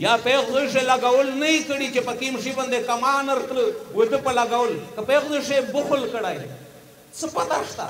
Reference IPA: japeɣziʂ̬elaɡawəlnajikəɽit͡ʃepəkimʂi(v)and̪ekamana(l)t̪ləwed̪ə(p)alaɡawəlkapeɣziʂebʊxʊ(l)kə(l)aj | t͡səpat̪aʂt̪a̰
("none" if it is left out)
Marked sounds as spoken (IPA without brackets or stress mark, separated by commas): b, ɾ, p, l, ɽ